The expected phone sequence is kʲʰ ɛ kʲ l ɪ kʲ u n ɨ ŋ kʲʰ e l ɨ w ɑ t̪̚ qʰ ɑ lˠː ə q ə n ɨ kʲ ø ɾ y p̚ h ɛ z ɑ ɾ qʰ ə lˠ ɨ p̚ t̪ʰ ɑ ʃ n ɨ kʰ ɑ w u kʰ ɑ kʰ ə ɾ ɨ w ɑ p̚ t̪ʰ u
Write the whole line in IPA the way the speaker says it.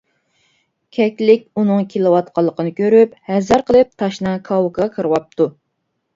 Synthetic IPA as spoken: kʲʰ ɛ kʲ l ɪ kʲ u n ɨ ŋ kʲʰ e l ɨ w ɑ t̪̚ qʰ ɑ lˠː ə q ə n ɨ kʲ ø ɾ y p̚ h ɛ z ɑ ɾ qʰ ə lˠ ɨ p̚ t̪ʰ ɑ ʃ n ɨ kʰ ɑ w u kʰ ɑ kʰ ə ɾ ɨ w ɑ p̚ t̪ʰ u